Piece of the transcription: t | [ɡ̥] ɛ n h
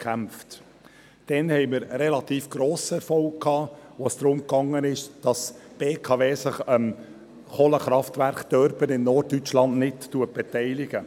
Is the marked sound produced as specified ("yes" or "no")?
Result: no